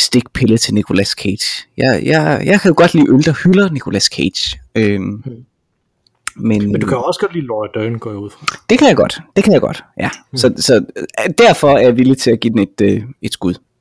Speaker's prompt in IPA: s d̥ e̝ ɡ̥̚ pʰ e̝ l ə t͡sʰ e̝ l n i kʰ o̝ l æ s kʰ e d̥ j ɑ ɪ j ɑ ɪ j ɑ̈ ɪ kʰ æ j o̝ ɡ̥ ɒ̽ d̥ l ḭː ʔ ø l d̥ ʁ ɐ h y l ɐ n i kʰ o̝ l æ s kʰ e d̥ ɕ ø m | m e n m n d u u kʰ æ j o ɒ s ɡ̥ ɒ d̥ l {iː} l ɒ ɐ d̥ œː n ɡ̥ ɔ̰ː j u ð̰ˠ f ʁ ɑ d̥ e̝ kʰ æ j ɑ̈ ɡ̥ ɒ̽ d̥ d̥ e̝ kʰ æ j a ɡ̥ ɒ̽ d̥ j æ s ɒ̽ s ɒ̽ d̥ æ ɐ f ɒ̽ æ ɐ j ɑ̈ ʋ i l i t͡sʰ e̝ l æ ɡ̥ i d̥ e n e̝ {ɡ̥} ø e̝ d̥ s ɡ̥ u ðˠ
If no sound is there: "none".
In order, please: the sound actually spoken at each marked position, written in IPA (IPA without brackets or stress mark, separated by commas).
iː, d̥